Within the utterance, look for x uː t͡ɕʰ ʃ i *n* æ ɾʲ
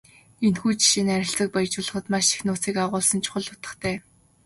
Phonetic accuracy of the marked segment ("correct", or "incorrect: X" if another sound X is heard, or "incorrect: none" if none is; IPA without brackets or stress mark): correct